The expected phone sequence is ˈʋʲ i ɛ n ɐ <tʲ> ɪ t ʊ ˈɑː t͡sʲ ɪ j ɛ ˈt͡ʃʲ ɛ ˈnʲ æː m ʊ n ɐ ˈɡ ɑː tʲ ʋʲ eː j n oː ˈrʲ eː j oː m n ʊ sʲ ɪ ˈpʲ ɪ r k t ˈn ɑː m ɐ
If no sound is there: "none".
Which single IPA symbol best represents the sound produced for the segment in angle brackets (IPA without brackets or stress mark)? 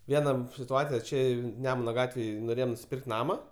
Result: sʲ